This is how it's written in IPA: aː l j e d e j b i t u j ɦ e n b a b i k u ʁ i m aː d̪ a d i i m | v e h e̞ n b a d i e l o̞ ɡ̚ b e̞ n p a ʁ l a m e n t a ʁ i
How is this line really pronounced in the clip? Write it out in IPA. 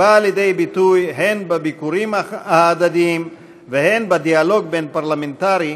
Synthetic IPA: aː l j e d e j b i t u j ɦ e n b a b i k u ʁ i m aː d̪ a d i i m | v e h e̞ n b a d i a l o̞ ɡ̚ b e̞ n p a ʁ l a m e n t a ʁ i